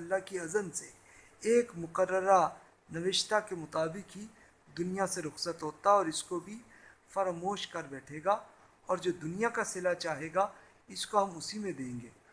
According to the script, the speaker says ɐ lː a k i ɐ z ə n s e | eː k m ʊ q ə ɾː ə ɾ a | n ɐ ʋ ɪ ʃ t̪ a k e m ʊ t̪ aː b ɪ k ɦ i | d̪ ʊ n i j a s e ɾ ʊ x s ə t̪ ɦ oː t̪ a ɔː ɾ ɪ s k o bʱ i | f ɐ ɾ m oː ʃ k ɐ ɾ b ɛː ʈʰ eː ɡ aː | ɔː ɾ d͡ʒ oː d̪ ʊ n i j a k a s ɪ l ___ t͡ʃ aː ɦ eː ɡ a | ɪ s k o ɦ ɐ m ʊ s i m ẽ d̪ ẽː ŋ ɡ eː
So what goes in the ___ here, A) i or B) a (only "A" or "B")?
B